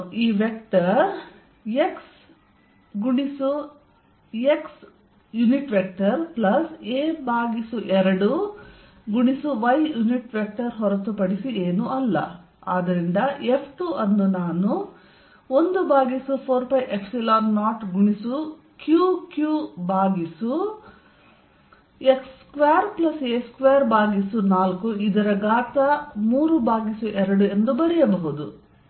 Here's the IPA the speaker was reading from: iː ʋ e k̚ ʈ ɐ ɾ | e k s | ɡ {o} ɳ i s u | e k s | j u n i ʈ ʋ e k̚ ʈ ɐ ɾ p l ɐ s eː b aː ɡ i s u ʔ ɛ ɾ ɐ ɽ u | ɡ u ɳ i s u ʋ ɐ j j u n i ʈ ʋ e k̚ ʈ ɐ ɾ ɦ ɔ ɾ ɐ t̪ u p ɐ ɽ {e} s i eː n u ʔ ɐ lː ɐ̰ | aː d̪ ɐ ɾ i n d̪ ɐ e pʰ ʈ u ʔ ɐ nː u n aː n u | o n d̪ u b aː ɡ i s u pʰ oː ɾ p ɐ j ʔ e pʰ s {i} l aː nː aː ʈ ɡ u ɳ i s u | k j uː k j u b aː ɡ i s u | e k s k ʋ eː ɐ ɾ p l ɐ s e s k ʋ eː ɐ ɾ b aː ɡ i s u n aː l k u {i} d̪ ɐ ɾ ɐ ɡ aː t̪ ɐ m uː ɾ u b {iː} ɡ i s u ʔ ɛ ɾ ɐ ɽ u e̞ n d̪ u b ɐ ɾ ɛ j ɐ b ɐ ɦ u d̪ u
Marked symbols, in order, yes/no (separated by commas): no, no, yes, yes, no